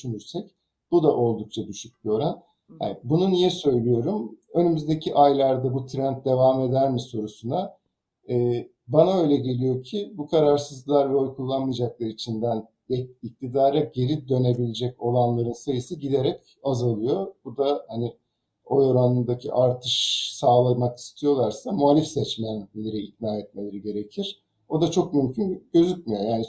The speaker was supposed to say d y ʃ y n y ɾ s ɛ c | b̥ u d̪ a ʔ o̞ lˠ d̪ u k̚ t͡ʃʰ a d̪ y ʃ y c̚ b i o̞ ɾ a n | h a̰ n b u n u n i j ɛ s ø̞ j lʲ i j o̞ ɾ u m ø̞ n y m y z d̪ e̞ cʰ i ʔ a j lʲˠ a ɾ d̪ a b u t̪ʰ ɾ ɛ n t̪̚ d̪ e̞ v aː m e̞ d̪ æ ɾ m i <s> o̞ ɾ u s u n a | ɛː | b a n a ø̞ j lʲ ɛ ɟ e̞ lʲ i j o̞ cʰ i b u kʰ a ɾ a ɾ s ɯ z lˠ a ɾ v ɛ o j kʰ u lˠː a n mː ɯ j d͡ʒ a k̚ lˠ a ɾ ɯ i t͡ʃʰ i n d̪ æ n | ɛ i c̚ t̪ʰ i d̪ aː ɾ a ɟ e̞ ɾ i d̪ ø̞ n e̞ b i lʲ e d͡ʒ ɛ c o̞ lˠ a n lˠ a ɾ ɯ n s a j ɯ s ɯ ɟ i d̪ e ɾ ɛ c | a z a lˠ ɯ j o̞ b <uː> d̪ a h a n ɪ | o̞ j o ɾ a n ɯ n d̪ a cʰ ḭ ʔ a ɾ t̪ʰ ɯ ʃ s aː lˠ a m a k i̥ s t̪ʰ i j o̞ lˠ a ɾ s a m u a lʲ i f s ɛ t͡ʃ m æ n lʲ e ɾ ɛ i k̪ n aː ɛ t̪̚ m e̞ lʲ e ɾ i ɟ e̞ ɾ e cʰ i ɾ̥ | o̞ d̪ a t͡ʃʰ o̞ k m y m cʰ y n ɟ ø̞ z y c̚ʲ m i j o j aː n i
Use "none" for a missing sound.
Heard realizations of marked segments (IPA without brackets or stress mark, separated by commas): s, u